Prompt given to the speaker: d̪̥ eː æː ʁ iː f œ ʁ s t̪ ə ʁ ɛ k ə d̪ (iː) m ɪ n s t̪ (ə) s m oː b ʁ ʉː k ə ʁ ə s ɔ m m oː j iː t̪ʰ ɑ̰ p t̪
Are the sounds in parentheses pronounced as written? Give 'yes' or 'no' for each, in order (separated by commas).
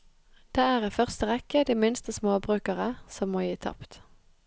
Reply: yes, yes